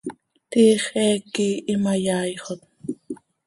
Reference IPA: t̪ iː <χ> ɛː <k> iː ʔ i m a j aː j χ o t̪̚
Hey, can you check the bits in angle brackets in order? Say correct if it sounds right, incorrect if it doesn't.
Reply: correct, correct

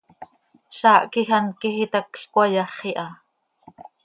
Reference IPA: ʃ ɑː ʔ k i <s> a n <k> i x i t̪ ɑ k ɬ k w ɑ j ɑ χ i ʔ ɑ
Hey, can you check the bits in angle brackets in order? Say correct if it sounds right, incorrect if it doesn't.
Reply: incorrect: x, correct

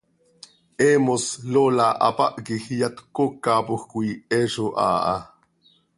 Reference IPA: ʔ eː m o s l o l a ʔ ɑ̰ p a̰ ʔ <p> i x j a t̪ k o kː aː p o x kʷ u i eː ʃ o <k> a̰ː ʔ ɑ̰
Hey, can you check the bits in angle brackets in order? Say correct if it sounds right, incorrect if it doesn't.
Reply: incorrect: k, incorrect: ʔ

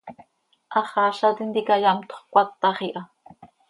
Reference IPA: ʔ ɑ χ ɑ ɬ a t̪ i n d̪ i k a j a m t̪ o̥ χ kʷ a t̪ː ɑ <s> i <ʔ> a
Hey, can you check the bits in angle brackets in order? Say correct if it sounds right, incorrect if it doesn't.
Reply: incorrect: χ, correct

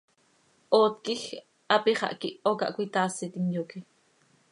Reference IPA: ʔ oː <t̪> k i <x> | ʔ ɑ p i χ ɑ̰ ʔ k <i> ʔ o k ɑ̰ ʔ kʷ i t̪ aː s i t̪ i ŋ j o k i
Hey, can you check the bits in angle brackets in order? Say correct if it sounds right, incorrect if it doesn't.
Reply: correct, correct, correct

